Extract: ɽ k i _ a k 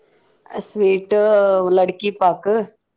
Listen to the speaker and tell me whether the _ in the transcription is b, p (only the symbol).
p